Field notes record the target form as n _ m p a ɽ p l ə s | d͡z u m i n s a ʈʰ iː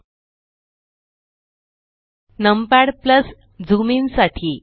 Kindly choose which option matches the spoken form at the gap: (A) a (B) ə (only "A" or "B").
B